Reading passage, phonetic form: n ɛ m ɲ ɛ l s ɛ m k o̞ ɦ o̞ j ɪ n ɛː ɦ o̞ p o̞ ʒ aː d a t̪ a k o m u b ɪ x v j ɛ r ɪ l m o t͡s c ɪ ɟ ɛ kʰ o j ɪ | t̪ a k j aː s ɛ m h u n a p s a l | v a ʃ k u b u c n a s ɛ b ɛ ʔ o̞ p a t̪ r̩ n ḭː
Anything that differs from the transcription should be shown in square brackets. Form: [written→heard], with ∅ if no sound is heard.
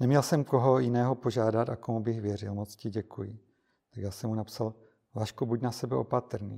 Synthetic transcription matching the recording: n ɛ m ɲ ɛ l s ɛ m k o̞ ɦ o̞ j ɪ n ɛː ɦ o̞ p o̞ ʒ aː d a t̪ a k o m u b ɪ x v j ɛ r ɪ l m o t͡s c ɪ ɟ ɛ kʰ [o→u] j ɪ | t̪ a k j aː s ɛ m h u n a p s a l | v a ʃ k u b u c n a s ɛ b ɛ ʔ o̞ p a t̪ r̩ n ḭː